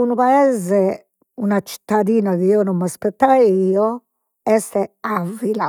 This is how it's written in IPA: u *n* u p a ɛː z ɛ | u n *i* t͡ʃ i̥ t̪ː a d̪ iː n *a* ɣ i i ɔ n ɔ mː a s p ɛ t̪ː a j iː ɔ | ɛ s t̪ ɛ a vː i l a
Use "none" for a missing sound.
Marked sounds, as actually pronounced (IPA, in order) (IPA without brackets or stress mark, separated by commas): n, a, a